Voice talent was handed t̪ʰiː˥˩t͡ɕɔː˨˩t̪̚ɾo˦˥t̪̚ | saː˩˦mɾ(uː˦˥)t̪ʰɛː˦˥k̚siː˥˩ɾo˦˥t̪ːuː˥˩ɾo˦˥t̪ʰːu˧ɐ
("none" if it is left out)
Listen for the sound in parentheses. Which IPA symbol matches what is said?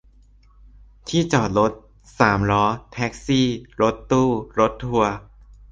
ɔː˦˥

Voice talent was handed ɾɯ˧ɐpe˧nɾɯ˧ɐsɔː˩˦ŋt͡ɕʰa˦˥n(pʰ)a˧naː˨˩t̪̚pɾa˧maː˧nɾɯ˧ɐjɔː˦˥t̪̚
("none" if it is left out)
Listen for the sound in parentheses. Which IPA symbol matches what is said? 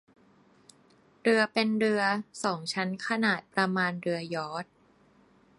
kʰ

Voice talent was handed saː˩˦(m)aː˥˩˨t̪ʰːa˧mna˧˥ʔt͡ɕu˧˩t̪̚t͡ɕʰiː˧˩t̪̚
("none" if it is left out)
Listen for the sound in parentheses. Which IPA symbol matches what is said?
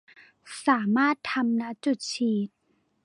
m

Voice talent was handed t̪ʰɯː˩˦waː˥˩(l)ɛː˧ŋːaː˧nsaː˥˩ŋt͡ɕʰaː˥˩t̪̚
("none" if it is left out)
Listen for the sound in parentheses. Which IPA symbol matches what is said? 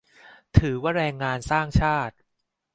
ɾ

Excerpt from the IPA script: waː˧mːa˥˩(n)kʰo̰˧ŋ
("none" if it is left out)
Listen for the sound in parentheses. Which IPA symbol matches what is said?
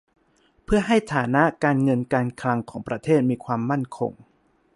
n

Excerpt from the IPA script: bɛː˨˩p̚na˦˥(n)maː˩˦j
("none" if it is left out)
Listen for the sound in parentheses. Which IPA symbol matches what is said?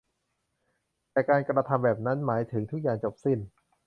n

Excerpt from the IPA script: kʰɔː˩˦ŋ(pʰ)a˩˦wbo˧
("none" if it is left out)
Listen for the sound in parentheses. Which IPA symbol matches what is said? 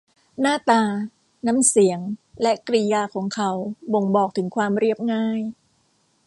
kʰ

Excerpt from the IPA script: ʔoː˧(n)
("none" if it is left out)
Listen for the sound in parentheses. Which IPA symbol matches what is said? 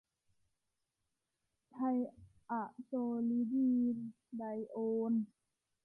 n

